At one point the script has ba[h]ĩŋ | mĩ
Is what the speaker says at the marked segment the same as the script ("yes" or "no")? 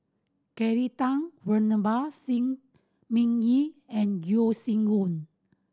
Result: no